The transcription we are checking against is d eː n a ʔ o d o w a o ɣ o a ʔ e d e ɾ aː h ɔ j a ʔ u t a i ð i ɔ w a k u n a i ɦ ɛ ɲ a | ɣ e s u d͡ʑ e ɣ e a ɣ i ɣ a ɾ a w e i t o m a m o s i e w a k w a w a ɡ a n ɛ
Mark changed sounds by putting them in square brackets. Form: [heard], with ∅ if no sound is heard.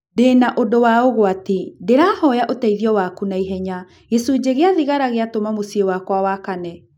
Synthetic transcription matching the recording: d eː n a ʔ o d o w a o ɣ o a [t] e d e ɾ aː h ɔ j a ʔ [o] t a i ð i ɔ w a k u n a i ɦ ɛ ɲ a | ɣ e s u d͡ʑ e ɣ e a [ð] i ɣ a ɾ a [ɣ] e [a] t o m a m o s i e w a k w a w a [k] a n ɛ